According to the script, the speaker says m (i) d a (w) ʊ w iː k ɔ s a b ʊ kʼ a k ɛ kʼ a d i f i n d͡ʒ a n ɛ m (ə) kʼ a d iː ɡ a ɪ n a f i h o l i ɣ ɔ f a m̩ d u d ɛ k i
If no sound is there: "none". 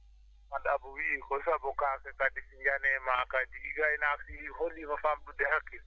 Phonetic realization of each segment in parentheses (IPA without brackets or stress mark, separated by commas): a, b, a